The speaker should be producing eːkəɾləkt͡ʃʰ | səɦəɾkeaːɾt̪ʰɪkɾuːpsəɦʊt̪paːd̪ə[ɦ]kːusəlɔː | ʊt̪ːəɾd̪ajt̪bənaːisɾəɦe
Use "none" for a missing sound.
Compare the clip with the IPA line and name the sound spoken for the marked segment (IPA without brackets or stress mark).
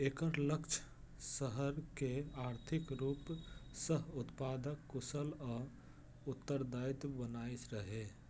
none